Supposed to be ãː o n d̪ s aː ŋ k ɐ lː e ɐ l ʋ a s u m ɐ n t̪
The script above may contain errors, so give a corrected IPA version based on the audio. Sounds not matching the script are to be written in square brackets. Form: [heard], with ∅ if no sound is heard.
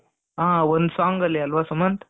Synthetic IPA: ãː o n d̪ s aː ŋ [ɡ] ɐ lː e ɐ l ʋ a s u m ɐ n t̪